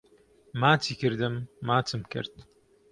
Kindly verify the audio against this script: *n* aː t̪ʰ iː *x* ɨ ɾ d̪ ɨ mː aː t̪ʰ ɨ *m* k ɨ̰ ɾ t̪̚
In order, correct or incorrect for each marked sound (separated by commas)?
incorrect, incorrect, correct